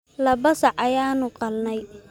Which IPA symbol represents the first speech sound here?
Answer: l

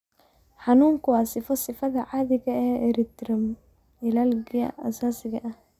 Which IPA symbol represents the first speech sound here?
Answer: ħ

